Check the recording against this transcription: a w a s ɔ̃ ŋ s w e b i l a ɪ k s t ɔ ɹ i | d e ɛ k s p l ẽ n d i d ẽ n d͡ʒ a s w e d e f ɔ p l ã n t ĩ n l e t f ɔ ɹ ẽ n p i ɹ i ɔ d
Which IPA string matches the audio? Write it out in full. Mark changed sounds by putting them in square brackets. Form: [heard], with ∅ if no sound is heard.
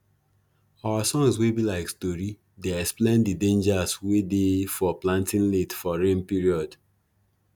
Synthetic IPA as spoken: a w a s ɔ̃ ŋ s w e b i l a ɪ k s t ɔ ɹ i | d e ɛ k s p l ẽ n d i d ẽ n d͡ʒ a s w e d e f ɔ p l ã n t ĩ n l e t f ɔ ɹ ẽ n p i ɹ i ɔ d